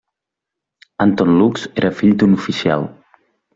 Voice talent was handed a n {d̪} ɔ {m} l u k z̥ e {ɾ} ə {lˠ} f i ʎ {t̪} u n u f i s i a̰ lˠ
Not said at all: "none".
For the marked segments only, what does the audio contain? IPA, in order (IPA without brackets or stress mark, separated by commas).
t̪, n, ɾ, none, d̪